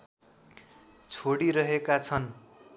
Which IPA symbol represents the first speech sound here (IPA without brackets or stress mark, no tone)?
t͡sʰ